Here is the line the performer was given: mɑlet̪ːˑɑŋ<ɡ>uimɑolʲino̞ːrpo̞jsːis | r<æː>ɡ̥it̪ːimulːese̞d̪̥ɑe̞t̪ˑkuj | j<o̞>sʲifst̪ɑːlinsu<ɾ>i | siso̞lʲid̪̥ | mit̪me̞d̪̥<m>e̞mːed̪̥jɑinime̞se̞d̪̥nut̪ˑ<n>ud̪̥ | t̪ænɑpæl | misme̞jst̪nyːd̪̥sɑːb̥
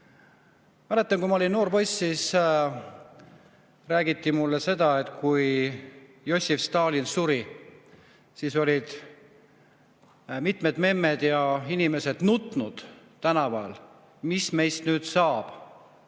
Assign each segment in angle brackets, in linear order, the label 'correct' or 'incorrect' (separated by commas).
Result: incorrect, correct, correct, correct, correct, correct